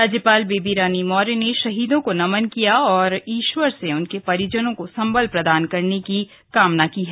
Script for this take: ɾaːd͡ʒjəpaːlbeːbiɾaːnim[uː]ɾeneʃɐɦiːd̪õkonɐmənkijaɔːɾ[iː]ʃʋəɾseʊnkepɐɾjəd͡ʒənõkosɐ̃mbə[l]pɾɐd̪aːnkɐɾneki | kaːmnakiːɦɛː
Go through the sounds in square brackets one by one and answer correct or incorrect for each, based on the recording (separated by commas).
incorrect, correct, correct